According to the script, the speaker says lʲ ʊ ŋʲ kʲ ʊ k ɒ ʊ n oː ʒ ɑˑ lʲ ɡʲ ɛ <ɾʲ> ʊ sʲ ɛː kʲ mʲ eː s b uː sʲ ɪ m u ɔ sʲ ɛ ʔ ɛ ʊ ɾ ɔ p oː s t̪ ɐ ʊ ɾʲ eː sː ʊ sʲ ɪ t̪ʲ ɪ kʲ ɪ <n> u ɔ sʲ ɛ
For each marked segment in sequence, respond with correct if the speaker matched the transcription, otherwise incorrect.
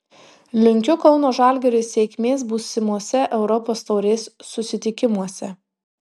correct, incorrect

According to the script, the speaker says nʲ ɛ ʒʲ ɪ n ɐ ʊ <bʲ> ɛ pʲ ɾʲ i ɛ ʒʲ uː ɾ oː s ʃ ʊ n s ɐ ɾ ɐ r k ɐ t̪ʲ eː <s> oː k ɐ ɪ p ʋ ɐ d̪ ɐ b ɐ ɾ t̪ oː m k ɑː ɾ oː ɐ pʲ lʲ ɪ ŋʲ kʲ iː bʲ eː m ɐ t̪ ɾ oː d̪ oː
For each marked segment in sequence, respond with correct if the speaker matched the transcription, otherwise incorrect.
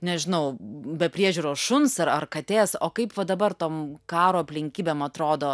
correct, correct

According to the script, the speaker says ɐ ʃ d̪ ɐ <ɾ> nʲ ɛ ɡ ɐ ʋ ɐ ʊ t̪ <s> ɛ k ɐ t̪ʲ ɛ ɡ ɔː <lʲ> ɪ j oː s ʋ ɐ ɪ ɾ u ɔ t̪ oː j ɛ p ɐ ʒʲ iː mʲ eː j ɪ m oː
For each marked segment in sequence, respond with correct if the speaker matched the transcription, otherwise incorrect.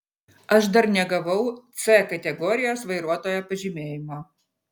correct, correct, incorrect

